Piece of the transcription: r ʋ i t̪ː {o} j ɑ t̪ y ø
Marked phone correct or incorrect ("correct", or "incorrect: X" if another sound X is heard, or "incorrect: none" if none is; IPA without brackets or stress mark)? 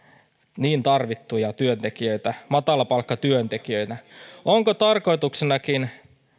incorrect: u